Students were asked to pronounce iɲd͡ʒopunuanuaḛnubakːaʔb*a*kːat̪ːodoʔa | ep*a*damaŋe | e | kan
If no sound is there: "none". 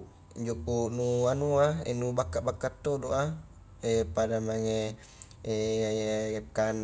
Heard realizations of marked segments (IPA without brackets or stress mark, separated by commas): a, a